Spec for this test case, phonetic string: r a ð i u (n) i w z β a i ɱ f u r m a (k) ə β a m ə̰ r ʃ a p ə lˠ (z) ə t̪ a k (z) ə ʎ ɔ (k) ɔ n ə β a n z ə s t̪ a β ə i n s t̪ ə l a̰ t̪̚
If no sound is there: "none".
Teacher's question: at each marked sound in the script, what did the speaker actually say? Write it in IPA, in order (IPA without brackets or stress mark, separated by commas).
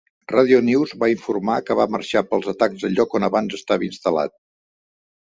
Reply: n, k, z, z, k